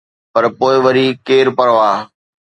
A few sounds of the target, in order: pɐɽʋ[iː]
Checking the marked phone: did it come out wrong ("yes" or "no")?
yes